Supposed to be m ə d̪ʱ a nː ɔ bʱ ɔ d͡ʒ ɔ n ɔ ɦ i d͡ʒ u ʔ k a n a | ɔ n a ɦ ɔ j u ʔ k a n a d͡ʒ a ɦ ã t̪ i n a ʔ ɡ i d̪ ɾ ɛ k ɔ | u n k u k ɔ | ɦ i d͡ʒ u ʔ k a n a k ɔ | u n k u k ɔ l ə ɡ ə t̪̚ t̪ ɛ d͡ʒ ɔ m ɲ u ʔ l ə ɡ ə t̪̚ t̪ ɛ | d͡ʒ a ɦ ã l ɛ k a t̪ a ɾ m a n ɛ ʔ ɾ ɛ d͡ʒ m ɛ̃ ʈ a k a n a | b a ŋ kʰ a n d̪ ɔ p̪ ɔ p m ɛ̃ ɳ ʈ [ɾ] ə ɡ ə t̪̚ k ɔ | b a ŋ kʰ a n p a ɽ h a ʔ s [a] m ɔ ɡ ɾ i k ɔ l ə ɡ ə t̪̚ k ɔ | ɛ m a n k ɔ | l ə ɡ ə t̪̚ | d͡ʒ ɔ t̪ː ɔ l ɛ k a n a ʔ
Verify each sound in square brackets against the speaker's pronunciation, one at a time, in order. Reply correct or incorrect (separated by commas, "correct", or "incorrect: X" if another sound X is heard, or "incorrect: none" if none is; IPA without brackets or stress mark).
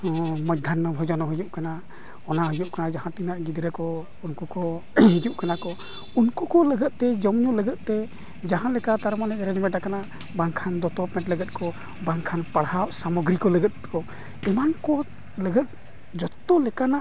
incorrect: l, correct